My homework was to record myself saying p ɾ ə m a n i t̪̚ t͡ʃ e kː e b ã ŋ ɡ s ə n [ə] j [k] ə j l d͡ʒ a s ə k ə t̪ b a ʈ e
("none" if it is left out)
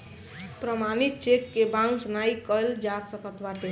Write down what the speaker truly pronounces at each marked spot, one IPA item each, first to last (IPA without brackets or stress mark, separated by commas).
a, k